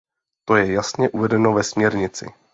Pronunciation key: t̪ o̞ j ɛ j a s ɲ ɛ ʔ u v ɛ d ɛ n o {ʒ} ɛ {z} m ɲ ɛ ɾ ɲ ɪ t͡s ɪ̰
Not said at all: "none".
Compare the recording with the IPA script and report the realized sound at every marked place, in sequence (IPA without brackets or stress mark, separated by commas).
v, s